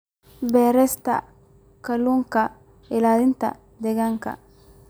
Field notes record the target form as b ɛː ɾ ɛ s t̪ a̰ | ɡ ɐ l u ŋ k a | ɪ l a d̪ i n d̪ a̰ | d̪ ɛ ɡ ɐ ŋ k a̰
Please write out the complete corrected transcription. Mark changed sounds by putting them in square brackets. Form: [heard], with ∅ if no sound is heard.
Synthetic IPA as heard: b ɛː ɾ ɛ s t̪ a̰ | [k] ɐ l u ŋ k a | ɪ l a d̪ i n [t̪] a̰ | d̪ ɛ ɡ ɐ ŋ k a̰

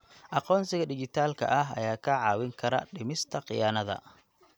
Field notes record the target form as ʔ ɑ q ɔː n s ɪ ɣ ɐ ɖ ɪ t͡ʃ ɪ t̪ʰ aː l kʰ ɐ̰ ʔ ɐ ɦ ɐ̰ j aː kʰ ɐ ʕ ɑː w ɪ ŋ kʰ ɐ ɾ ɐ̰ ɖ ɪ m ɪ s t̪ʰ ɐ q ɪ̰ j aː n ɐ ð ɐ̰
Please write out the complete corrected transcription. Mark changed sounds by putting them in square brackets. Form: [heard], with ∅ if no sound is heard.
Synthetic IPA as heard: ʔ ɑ q ɔː n s ɪ ɣ ɐ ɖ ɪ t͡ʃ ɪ t̪ʰ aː l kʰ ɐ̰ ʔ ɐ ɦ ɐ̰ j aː kʰ ɐ ʕ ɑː w ɪ ŋ kʰ ɐ ɾ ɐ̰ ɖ ɪ m ɪ s t̪ʰ ɐ q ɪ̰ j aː n ɐ ð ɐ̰

